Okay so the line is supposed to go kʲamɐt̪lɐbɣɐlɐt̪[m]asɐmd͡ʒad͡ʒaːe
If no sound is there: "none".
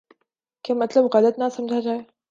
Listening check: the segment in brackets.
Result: n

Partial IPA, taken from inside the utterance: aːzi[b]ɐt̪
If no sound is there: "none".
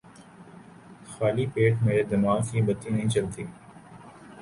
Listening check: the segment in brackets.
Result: b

